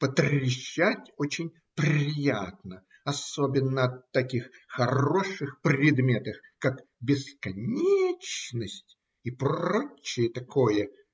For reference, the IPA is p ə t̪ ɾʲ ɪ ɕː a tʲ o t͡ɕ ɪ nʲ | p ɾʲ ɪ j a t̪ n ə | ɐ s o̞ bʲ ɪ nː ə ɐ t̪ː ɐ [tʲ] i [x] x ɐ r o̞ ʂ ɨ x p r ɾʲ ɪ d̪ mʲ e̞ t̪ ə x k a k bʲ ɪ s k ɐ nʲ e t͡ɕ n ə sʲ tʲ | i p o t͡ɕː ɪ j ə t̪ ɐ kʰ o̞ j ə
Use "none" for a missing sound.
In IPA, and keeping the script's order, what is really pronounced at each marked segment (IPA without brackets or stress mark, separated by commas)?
kʲ, x